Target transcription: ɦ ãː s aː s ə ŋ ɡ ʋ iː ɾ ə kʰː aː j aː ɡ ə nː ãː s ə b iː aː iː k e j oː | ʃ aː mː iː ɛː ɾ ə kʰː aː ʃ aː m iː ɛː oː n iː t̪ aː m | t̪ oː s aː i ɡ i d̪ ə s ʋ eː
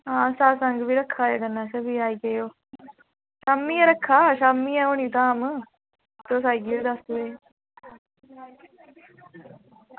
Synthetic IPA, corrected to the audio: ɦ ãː s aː s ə ŋ ɡ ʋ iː ɾ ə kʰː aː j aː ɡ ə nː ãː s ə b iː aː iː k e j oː | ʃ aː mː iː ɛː ɾ ə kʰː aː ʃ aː m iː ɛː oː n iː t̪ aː m | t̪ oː s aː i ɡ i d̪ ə s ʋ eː

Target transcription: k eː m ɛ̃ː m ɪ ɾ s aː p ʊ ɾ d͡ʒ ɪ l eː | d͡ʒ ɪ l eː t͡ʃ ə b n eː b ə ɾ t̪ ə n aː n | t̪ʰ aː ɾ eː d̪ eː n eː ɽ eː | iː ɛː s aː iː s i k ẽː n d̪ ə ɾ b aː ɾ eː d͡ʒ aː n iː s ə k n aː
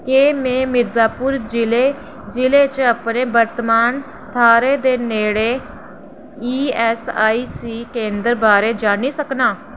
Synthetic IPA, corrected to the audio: k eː m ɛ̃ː m ɪ ɾ z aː p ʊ ɾ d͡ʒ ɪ l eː | d͡ʒ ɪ l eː t͡ʃ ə p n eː b ə ɾ t̪ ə m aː n | t̪ʰ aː ɾ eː d̪ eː n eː ɽ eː | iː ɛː s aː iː s iː k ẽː n d̪ ə ɾ b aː ɾ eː d͡ʒ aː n iː s ə k n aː

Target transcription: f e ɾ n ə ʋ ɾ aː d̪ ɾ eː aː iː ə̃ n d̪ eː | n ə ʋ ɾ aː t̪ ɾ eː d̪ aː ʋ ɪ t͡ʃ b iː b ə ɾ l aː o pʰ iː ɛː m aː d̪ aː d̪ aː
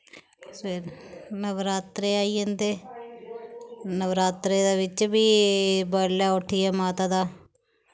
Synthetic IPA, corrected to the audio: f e ɾ n ə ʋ ɾ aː t̪ ɾ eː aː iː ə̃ n d̪ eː | n ə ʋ ɾ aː t̪ ɾ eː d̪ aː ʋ ɪ t͡ʃ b iː b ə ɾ l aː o ʈʰ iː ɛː m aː t̪ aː d̪ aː

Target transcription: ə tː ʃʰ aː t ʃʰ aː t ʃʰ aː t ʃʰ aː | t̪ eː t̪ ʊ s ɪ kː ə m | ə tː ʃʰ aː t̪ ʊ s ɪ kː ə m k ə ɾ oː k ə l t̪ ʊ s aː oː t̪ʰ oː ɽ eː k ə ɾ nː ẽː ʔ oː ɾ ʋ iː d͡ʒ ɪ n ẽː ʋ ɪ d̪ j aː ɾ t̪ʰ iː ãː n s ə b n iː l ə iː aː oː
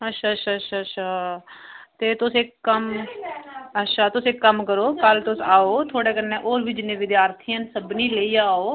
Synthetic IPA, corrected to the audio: ə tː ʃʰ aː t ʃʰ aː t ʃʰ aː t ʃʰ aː | t̪ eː t̪ ʊ s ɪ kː ə m | ə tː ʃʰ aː t̪ ʊ s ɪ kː ə m k ə ɾ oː k ə l t̪ ʊ s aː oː t̪ʰ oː ɽ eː k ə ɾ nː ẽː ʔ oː ɾ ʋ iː d͡ʒ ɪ n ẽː ʋ ɪ d̪ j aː ɾ t̪ʰ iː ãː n s ə b n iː l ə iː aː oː

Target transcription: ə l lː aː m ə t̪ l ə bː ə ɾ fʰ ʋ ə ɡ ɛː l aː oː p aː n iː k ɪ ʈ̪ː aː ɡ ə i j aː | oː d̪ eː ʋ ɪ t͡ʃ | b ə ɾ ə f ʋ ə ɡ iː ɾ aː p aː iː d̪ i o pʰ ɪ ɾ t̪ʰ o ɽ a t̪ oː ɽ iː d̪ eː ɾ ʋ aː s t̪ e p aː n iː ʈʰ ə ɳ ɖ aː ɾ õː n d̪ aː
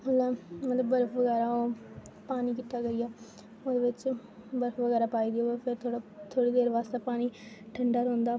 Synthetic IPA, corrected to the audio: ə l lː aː m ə t̪ l ə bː ə ɾ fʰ ʋ ə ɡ ɛː ɾ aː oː p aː n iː k ɪ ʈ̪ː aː ɡ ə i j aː | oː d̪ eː ʋ ɪ t͡ʃ | b ə ɾ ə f ʋ ə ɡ ɛː ɾ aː p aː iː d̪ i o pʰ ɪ ɾ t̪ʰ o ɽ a t̪ʰ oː ɽ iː d̪ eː ɾ ʋ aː s t̪ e p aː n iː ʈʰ ə ɳ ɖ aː ɾ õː n d̪ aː

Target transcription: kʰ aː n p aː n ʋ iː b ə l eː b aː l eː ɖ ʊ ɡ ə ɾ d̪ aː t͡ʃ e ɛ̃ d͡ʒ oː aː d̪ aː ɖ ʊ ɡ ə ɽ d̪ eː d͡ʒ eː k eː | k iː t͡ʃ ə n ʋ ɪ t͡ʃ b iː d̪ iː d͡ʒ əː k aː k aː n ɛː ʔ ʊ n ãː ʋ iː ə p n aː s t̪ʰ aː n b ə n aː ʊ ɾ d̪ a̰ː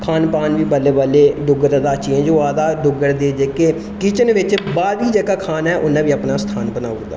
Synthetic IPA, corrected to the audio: kʰ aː n p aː n ʋ iː b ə l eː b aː l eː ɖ ʊ ɡ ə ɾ d̪ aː t͡ʃ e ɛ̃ d͡ʒ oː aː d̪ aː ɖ ʊ ɡ ə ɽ d̪ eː d͡ʒ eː k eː | k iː t͡ʃ ə n ʋ ɪ t͡ʃ b aː d̪ iː d͡ʒ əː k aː kʰ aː n ɛː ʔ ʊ n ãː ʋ iː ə p n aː s t̪ʰ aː n b ə n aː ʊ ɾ d̪ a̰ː

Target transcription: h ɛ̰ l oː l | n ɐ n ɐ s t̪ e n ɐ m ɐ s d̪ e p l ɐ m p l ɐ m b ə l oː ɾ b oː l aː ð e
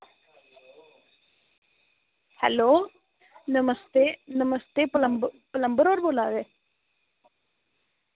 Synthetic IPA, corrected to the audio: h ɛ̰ l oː | n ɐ m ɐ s t̪ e n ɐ m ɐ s t̪ e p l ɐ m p l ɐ m b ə ɾ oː ɾ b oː l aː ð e

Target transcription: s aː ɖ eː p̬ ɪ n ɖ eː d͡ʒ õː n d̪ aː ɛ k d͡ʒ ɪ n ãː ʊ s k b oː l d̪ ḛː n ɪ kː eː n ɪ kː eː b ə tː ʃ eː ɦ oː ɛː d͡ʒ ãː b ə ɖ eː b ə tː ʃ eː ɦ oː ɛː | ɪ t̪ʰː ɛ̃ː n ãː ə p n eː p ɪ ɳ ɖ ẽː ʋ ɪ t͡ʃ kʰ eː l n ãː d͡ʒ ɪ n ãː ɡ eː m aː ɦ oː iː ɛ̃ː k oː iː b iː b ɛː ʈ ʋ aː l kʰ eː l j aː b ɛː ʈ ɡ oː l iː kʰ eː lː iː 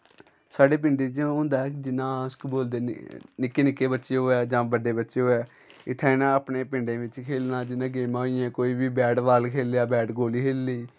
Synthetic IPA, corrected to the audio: s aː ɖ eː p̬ ɪ ɳ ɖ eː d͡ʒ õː n d̪ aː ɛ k d͡ʒ ɪ n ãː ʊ s k b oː l d̪ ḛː n ɪ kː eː n ɪ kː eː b ə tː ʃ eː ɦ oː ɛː d͡ʒ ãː b ə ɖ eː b ə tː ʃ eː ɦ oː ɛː | ɪ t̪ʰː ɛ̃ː n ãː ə p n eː p ɪ ɳ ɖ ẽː ʋ ɪ t͡ʃ kʰ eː l n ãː d͡ʒ ɪ n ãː ɡ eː m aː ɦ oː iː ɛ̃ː k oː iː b iː b ɛː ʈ ʋ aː l kʰ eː l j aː b ɛː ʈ ɡ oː l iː kʰ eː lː iː

